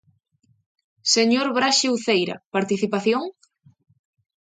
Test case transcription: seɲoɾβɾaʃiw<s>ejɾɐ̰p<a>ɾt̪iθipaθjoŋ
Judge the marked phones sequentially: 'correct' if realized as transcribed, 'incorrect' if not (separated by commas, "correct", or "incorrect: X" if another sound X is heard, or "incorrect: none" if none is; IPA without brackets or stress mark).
incorrect: θ, correct